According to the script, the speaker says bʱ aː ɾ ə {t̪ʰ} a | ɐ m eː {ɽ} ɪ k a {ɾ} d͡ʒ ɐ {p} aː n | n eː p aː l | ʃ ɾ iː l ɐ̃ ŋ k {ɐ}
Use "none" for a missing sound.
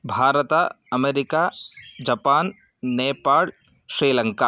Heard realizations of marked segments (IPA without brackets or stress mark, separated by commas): t̪, ɾ, none, p, a